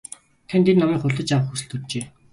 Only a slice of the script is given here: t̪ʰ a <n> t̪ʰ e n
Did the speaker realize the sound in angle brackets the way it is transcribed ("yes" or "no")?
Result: yes